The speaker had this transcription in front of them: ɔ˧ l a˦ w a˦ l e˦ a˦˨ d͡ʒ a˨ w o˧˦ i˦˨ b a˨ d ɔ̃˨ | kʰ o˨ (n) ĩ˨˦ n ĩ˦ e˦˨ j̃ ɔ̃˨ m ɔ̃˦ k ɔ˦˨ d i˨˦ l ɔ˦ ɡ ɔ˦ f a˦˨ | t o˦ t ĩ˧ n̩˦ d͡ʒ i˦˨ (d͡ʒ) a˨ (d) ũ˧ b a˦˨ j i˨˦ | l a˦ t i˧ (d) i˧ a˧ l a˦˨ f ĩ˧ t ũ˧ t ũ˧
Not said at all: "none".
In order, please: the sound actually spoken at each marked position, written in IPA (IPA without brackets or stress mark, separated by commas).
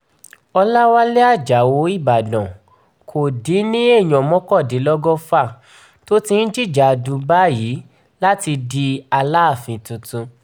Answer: d, d͡ʒ, d, d